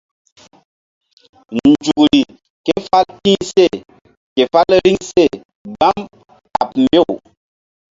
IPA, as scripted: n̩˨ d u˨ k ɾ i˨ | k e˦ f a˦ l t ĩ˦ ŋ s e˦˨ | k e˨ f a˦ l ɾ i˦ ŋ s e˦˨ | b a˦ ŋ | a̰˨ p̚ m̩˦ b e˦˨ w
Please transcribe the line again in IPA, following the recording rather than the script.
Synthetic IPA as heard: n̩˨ d͡ʒ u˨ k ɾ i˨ | k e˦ f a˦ l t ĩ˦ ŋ s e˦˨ | k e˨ f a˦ l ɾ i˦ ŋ s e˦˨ | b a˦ m | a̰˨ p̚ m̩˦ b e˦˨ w

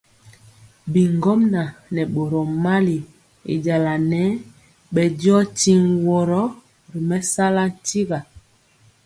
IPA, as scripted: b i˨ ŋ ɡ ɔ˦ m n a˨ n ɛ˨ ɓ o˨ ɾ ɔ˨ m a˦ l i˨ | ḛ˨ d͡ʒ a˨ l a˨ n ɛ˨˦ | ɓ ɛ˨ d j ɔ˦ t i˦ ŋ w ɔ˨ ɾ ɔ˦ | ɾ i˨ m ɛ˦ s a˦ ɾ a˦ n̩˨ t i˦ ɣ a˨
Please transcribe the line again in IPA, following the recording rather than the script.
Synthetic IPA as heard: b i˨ ŋ ɡ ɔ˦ m n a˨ n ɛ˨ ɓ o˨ ɾ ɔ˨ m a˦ l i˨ | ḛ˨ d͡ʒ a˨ l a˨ n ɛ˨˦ | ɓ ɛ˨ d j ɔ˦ t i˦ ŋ w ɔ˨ ɾ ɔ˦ | ɾ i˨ m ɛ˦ s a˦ l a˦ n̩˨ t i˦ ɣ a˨

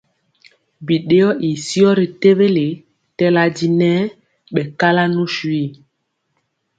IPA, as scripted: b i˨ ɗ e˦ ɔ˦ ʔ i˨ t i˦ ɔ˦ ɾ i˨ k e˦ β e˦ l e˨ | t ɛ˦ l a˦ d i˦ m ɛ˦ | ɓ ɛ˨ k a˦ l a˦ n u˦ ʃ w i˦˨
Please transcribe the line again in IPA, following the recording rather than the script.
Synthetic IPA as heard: b i˨ ɗ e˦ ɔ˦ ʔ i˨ s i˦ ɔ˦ ɾ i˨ t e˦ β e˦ l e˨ | t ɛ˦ l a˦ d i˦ n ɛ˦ | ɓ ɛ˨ k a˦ l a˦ n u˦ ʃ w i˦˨

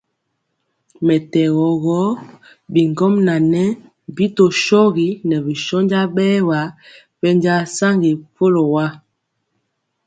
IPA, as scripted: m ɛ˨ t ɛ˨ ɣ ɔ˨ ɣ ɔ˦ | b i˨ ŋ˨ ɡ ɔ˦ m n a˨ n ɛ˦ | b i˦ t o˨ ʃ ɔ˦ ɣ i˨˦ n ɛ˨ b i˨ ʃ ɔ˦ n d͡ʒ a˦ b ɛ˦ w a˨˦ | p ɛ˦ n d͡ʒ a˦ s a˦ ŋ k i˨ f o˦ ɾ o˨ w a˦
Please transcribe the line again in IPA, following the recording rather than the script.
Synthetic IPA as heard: m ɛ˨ t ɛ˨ ɣ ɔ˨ ɣ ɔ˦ | b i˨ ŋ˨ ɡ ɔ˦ m n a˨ n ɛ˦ | b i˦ t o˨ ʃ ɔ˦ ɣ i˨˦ n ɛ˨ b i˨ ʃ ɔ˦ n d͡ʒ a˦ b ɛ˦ w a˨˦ | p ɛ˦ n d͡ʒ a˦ s a˦ ŋ ɡ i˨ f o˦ l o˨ w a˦

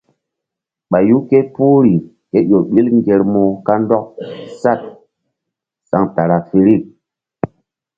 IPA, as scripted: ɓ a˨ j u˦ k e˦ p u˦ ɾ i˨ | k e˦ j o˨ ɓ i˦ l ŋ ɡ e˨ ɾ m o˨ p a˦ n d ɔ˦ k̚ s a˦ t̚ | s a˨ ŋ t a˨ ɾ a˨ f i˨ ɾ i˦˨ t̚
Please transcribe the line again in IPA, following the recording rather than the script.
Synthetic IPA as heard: ɓ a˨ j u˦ k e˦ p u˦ ɾ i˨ | k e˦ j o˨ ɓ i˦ l ŋ ɡ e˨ ɾ m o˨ k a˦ n d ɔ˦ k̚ s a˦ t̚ | s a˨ ŋ t a˨ ɾ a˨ f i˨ ɾ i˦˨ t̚

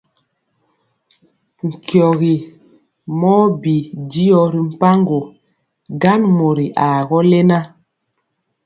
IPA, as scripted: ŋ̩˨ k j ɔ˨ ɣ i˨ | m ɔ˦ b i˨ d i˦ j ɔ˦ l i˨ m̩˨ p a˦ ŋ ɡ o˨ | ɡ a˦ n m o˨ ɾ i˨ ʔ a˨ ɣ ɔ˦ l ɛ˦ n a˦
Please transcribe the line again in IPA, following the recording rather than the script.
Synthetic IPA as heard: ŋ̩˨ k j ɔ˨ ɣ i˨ | m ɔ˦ b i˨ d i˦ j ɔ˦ ɾ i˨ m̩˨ p a˦ ŋ ɡ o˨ | ɡ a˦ n m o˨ ɾ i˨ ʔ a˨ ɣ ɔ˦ l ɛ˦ n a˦

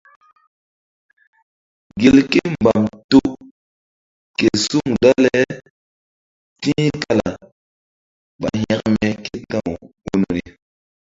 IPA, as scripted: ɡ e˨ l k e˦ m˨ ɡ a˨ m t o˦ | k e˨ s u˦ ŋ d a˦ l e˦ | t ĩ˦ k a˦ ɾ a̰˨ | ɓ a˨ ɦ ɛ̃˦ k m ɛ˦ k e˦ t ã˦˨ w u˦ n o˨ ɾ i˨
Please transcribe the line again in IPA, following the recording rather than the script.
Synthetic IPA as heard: ɡ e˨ l k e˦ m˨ b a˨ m t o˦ | k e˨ s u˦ ŋ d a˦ l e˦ | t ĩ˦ k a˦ l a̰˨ | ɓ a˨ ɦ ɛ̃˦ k m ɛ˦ k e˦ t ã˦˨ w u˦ n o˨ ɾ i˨

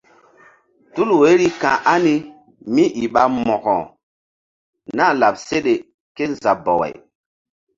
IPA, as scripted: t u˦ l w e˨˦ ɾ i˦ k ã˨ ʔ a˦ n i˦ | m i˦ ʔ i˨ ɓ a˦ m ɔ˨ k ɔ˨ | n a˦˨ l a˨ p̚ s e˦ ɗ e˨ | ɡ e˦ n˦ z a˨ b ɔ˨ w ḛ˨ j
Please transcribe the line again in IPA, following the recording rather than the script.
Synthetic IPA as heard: t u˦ l w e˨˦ ɾ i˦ k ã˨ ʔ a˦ n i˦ | m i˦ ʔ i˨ ɓ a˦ m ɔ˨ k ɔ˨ | n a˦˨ l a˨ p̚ s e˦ ɗ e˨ | k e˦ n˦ z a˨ b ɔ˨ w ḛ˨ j

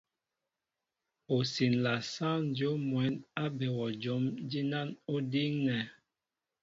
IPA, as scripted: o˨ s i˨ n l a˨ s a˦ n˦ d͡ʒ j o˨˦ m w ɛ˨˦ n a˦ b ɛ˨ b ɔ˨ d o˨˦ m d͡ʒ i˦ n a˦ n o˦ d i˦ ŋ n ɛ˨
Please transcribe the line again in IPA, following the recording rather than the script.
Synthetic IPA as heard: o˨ s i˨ n l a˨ s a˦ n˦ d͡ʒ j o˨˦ m w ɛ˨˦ n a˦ b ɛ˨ w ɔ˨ d͡ʒ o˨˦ m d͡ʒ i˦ n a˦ n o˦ d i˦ ŋ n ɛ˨

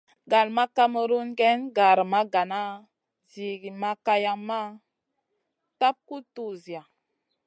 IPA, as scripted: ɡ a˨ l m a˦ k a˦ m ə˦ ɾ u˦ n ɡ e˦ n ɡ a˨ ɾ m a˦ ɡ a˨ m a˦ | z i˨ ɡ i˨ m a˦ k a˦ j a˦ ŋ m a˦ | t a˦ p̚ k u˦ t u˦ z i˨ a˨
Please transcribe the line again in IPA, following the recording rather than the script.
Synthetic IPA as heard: ɡ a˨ l m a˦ k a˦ m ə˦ ɾ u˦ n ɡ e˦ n ɡ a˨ ɾ m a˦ ɡ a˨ n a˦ | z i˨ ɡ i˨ m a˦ k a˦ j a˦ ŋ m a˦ | t a˦ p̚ k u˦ t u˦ z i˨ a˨

